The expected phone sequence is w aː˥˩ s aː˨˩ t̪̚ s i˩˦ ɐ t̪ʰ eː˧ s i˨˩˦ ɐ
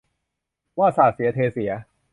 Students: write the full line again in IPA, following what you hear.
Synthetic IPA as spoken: w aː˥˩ s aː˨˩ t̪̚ s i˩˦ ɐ t̪ʰ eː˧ s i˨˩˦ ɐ